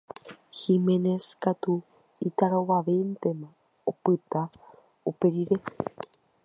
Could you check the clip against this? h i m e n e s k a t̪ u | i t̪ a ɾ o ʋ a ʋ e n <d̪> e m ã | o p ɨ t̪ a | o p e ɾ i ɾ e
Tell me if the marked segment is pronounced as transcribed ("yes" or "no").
no